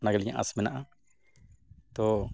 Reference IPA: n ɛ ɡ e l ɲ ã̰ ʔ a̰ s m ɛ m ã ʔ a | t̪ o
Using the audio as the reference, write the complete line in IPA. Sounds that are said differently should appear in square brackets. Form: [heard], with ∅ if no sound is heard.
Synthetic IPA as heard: n [a] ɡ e l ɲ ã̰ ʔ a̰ s m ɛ [n] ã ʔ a | t̪ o